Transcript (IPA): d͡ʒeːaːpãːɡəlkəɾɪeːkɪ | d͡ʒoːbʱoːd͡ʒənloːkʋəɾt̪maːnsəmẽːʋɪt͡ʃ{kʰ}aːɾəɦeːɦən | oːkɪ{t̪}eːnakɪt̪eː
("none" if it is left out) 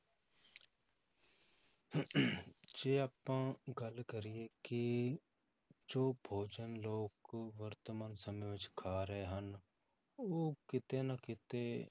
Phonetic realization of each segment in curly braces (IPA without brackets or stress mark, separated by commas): kʰ, t̪